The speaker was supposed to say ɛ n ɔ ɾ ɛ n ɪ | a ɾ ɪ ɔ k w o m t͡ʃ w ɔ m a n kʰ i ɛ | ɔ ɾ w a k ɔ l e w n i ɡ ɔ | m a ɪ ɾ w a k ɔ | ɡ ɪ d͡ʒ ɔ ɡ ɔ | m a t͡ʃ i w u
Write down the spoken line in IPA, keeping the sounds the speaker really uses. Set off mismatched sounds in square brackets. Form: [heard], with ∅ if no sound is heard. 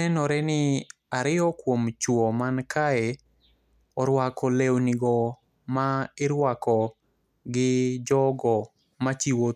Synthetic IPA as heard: ɛ n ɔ ɾ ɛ n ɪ | a ɾ ɪ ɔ k w o m t͡ʃ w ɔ m a n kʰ [a] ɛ | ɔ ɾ w a k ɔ l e w n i ɡ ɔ | m a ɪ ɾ w a k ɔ | ɡ ɪ d͡ʒ ɔ ɡ ɔ | m a t͡ʃ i w [o]